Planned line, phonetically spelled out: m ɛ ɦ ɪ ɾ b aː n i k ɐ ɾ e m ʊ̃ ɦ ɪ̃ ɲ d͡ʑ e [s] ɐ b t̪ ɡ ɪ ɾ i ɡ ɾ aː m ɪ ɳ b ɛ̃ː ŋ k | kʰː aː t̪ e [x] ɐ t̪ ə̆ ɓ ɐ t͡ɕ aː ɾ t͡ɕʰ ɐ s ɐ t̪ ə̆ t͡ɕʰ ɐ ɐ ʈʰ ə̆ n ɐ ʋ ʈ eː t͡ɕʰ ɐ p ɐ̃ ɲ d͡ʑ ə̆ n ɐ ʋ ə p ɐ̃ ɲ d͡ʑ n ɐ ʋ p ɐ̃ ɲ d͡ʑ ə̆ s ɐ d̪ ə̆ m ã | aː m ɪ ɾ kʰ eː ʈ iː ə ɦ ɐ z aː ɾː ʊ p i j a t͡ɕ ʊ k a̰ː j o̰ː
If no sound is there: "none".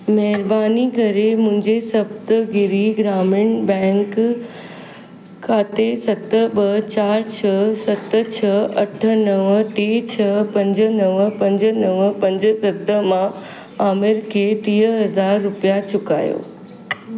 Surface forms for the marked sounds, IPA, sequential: s, s

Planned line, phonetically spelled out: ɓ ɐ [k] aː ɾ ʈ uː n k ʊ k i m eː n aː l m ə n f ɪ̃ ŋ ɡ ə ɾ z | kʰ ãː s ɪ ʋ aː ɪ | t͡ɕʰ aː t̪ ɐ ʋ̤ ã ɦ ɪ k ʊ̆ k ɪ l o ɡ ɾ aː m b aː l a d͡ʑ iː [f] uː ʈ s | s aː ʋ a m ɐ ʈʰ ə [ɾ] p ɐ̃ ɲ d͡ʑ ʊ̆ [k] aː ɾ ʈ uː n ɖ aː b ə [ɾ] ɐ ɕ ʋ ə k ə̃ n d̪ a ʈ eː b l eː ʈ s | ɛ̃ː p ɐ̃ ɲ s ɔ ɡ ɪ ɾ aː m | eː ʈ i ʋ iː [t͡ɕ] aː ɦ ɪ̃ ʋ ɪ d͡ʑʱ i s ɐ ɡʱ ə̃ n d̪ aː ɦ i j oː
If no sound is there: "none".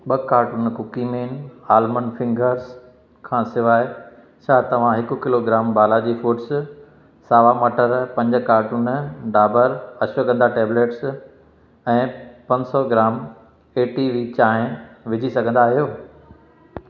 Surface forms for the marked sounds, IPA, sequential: k, f, ɾ, k, ɾ, t͡ɕ

